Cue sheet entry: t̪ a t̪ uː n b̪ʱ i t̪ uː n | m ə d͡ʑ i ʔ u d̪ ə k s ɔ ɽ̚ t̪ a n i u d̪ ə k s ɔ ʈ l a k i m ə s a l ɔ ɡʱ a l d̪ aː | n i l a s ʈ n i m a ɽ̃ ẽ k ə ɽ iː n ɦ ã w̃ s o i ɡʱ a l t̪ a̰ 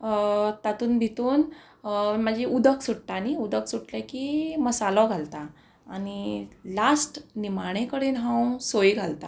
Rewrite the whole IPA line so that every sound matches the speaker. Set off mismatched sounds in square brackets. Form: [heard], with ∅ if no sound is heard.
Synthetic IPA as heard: t̪ a t̪ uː n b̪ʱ i t̪ uː n | m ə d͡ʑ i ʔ u d̪ ə k s [u] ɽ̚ t̪ a n i u d̪ ə k s [u] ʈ l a k i m ə s a l ɔ ɡʱ a l [t̪] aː | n i l a s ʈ n i m a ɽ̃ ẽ k ə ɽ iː n ɦ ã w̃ s o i ɡʱ a l t̪ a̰

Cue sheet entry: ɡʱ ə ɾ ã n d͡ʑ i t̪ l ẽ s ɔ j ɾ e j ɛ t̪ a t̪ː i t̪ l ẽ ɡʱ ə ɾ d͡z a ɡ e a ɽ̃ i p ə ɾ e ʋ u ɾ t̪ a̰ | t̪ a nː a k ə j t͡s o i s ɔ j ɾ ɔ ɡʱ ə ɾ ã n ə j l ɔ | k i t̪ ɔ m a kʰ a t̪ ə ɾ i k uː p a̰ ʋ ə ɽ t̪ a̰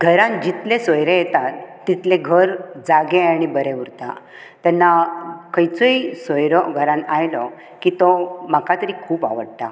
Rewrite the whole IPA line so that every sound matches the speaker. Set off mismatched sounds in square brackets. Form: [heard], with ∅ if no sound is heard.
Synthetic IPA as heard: ɡʱ ə ɾ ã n d͡ʑ i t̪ l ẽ s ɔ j ɾ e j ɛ t̪ a t̪ː i t̪ l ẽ ɡʱ ə ɾ d͡z a ɡ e a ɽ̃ i [b] ə ɾ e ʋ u ɾ t̪ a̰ | t̪ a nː a k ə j t͡s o i s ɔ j ɾ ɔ ɡʱ ə ɾ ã n [a] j l ɔ | k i t̪ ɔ m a [k] a t̪ ə ɾ i [kʰ] uː p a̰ ʋ ə ɽ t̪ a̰

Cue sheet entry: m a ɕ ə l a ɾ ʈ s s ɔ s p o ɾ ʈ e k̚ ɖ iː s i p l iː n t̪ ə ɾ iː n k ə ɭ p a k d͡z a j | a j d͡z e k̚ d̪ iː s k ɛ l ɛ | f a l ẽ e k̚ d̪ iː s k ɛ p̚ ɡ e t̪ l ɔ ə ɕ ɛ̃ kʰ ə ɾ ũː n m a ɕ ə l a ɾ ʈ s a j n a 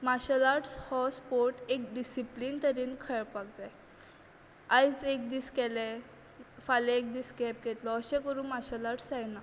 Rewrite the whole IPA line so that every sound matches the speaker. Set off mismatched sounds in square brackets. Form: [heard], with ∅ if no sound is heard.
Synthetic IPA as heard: m a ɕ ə l a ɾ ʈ s [h] ɔ s p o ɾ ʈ e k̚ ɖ [i] s i p l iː n t̪ ə ɾ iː n [kʰ] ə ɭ p a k d͡z a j | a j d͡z e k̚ d̪ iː s k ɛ l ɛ | f a l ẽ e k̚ d̪ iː s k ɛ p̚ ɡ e t̪ l ɔ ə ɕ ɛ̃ [k] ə ɾ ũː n m a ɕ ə l a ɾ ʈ s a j n a

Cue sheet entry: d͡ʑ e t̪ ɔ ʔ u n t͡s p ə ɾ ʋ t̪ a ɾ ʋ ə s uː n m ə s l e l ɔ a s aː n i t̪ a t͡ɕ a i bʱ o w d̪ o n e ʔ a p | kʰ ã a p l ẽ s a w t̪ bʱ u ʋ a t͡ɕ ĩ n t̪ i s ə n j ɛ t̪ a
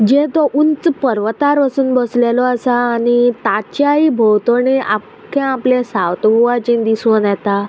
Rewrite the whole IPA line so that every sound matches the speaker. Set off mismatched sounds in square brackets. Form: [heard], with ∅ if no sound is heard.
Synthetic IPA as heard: d͡ʑ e t̪ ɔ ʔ u n t͡s p ə ɾ ʋ t̪ a ɾ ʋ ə s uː n [b] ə s l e l ɔ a s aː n i t̪ a t͡ɕ a i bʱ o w [t̪] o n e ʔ a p | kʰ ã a p l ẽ s a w t̪ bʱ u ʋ a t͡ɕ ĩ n [d̪] i s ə n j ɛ t̪ a

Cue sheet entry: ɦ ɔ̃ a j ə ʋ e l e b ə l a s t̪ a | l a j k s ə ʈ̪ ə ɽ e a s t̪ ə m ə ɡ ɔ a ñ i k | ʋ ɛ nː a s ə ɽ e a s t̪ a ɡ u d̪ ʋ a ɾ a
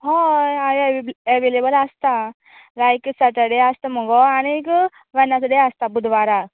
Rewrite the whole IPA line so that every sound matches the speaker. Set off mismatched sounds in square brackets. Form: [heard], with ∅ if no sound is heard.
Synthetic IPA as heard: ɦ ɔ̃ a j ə ʋ e l e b ə l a s t̪ a | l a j k s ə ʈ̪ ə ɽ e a s t̪ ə m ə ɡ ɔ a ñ i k | ʋ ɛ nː a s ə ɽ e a s t̪ a [b] u d̪ ʋ a ɾ a

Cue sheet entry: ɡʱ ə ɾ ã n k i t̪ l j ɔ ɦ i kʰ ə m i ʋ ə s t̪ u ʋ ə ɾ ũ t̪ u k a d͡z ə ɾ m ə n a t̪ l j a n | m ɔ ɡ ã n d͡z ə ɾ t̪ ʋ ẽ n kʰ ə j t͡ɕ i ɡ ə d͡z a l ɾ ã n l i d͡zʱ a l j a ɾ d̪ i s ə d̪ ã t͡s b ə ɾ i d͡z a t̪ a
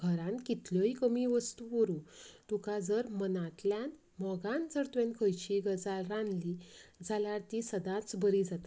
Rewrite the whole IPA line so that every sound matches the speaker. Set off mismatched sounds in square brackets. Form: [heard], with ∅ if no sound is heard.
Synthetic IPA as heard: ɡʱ ə ɾ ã n k i t̪ l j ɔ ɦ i [k] ə m i ʋ ə s t̪ u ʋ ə ɾ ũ t̪ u k a d͡z ə ɾ m ə n a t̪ l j a n | m ɔ ɡ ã n d͡z ə ɾ t̪ ʋ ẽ n kʰ ə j t͡ɕ i ɡ ə d͡z a l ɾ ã n l i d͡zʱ a l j a ɾ [t̪] i s ə d̪ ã t͡s b ə ɾ i d͡z a t̪ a

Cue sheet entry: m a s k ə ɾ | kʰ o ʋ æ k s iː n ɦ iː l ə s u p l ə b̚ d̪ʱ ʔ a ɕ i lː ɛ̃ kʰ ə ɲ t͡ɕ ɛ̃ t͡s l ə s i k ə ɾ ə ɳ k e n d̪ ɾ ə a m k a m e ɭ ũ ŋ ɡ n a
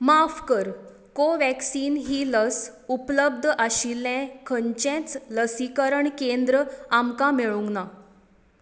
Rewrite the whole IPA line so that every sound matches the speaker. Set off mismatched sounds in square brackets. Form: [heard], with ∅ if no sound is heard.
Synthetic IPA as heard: m a [f] k ə ɾ | [k] o ʋ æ k s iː n ɦ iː l ə s u p l ə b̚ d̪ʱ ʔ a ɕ i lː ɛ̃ kʰ ə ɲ t͡ɕ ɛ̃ t͡s l ə s i k ə ɾ ə ɳ k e n d̪ ɾ ə a m k a m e ɭ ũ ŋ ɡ n a

